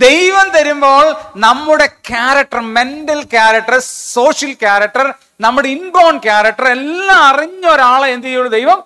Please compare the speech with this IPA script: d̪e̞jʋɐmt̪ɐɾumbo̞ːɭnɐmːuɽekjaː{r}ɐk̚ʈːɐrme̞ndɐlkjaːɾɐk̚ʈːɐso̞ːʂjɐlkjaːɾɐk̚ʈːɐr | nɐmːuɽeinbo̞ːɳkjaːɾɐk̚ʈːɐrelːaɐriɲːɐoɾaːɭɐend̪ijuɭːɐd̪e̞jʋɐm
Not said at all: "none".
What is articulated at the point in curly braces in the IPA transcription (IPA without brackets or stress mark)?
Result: ɾ